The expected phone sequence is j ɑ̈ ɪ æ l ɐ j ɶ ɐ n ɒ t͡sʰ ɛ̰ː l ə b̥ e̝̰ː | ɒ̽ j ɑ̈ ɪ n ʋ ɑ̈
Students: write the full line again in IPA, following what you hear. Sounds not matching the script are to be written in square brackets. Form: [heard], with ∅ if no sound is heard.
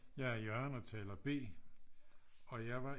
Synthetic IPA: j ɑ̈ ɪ æ [∅] ɐ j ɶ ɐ n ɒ t͡sʰ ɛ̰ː l [ɐ] b̥ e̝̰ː | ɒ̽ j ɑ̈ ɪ [∅] ʋ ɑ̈

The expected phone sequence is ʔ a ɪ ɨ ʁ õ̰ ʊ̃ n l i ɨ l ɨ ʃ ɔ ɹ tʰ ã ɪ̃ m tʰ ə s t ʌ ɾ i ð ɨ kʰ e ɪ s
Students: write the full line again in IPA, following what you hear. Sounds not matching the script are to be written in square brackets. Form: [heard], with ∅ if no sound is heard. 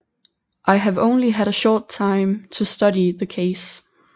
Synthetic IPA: ʔ a ɪ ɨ [v] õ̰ ʊ̃ n l i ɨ [ɾ] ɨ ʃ ɔ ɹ tʰ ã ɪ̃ m tʰ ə s t ʌ ɾ i ð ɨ kʰ e ɪ s

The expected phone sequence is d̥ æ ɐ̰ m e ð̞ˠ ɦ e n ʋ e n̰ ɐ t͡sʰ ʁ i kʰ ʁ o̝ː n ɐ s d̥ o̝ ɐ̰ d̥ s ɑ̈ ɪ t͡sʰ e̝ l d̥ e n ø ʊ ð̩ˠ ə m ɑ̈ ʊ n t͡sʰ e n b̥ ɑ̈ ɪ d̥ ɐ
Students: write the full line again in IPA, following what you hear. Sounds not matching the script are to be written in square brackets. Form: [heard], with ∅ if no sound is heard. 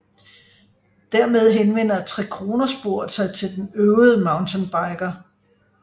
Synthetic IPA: d̥ æ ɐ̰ m e ð̞ˠ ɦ e n ʋ e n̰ ɐ t͡sʰ ʁ [ɛ] kʰ ʁ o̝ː n ɐ s [b̥] o̝ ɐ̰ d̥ s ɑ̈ ɪ t͡sʰ e̝ l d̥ e n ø ʊ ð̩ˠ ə m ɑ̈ ʊ n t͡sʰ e n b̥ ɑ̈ ɪ [ɡ̥] ɐ

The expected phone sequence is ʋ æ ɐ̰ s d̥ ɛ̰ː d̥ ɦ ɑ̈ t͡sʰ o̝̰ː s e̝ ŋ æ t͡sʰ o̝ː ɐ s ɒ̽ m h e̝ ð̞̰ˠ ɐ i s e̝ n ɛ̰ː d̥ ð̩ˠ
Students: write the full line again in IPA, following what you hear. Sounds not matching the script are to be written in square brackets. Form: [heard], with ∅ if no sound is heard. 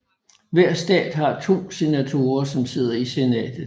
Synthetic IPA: ʋ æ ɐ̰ s d̥ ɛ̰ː d̥ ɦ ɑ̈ t͡sʰ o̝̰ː s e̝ [n] æ t͡sʰ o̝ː ɐ s ɒ̽ m [s] e̝ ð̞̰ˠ ɐ i s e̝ n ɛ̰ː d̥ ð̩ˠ

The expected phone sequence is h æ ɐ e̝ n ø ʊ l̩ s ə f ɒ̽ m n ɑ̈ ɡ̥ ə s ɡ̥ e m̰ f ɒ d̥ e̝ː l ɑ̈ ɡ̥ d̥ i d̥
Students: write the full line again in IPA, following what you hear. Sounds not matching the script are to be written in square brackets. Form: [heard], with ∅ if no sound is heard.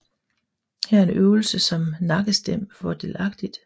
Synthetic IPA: h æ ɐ e̝ n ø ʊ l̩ s ə [s] ɒ̽ m n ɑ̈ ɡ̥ ə s [d̥] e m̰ f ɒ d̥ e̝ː l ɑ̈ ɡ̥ d̥ i d̥

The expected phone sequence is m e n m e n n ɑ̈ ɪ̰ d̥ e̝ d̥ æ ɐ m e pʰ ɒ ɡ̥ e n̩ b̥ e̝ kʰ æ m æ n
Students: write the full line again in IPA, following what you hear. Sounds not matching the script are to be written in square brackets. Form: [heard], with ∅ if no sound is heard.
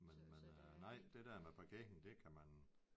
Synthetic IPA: m e n m e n n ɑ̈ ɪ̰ d̥ e̝ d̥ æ ɐ m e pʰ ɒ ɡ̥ e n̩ [d̥] e̝ kʰ æ m æ n

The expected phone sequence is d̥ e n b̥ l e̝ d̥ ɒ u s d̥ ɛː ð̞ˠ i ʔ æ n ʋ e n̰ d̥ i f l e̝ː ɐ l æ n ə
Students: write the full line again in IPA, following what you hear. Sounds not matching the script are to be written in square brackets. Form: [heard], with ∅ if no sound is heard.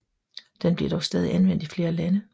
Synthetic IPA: d̥ e n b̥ l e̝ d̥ ɒ [ʊ] s d̥ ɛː ð̞ˠ i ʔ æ n ʋ e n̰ d̥ i f l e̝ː ɐ l æ n ə

